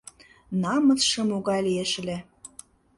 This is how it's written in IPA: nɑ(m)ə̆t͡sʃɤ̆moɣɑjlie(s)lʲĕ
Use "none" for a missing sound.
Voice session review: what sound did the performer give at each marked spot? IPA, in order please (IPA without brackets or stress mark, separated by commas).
m, ʃ